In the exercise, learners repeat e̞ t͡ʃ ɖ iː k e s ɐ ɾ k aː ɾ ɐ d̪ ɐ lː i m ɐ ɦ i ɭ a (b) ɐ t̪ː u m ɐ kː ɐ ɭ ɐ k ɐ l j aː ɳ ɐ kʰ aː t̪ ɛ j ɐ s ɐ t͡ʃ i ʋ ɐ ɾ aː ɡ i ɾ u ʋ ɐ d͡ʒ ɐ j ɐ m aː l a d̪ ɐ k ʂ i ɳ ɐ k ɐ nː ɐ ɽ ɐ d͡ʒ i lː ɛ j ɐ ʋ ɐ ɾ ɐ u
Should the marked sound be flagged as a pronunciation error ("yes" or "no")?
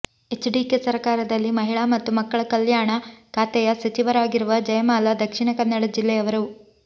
yes